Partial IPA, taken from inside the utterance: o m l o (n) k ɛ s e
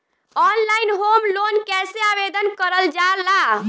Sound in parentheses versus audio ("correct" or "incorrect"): correct